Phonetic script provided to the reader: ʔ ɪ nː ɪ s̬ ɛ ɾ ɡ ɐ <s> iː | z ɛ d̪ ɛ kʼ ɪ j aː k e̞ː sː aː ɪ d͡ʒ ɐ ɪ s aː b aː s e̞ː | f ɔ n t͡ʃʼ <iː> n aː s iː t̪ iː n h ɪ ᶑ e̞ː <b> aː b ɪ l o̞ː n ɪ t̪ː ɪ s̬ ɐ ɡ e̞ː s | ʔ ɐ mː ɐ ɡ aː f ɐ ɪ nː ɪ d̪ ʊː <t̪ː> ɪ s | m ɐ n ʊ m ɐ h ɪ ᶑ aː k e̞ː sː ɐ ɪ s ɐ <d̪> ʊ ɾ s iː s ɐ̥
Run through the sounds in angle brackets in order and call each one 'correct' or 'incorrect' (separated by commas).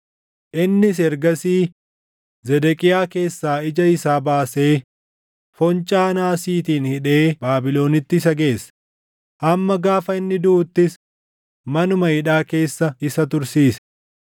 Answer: correct, incorrect, correct, correct, incorrect